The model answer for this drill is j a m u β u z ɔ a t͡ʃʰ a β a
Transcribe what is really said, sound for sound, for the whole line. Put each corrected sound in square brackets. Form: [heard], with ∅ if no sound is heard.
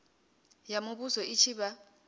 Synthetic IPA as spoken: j a m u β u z ɔ [i] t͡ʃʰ [i] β a